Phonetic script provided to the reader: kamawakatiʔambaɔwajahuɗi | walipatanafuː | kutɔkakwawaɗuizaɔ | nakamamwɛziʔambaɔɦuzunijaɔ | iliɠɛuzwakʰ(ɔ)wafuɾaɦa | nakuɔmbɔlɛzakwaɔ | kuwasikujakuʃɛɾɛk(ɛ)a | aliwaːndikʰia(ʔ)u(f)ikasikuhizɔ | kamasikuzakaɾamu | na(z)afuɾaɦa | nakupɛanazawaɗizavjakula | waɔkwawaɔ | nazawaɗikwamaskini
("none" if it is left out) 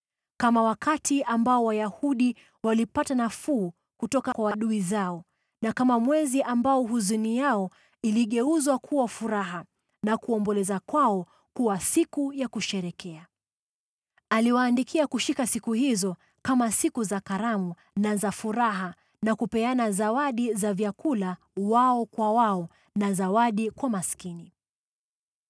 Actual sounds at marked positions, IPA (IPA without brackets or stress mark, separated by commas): u, ɛ, k, ʃ, z